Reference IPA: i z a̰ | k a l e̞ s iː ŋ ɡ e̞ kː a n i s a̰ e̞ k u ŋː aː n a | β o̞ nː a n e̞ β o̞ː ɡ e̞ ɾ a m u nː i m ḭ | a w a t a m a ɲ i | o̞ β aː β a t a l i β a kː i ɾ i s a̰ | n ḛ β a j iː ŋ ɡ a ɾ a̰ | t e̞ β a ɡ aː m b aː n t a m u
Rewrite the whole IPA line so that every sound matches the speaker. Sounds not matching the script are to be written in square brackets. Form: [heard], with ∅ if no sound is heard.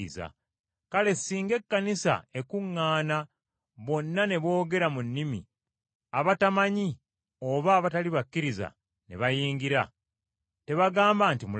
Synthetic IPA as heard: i z a̰ | k a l e̞ s iː ŋ ɡ e̞ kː a n i s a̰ e̞ k u ŋː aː n a | β o̞ nː a n e̞ β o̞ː ɡ e̞ ɾ a m u nː i m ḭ | a [β] a t a m a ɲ i | o̞ β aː β a t a l i β a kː i ɾ i [z] a̰ | n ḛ β a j iː ŋ ɡ [i] ɾ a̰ | t e̞ β a ɡ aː m b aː n t [i] m u

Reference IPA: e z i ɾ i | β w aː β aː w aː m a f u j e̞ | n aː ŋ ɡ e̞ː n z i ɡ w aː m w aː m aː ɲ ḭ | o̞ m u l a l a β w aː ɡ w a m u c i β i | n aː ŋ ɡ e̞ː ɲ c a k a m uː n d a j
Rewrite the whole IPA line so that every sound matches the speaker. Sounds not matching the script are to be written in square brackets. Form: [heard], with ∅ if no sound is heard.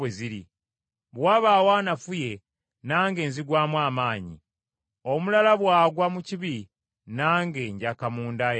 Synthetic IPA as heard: e z i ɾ i | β w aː β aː w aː [n] a f u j e̞ | n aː ŋ ɡ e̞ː n z i ɡ w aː m w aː m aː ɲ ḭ | o̞ m u l a l a β w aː ɡ w a m u c i β i | n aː ŋ ɡ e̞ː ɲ [ɟ] a k a m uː n d a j

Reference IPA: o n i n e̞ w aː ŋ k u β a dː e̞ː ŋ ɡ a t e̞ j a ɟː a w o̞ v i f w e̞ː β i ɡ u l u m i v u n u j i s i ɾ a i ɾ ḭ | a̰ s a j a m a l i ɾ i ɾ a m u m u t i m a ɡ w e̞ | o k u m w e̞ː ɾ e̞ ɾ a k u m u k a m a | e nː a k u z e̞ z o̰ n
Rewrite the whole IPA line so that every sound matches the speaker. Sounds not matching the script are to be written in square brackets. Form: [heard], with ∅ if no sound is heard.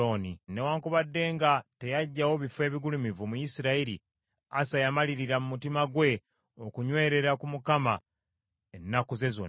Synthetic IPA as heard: o n i n e̞ w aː ŋ k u β a dː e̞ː ŋ ɡ a t e̞ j a ɟː a w o̞ [β] i f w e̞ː β i ɡ u l u m i v u [m] u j i s i ɾ a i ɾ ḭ | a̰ s a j a m a l i ɾ i ɾ a m u m u t i m a ɡ w e̞ | o k u [ɲ] w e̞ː ɾ e̞ ɾ a k u m u k a m a | e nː a k u z e̞ z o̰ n

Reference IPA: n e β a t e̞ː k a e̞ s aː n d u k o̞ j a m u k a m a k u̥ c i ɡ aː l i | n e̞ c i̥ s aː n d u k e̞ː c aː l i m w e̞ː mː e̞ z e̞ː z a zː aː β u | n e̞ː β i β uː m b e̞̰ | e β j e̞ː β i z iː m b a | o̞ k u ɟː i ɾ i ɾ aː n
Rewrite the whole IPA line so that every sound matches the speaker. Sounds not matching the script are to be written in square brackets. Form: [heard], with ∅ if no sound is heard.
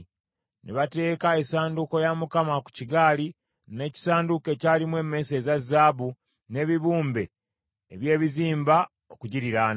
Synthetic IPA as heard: n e β a t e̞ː k a e̞ s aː n d u k o̞ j a m u k a m a k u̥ c i ɡ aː l i | n e̞ c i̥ s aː n d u k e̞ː c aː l i m w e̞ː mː e̞ [s] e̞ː z a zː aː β u | n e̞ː β i β uː m b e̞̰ | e β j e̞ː β i z iː m b a | o̞ k u [ɟ] i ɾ i ɾ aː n

